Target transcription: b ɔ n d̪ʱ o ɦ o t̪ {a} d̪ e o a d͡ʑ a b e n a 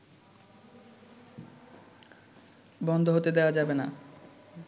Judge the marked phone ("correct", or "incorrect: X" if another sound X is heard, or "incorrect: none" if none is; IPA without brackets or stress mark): incorrect: e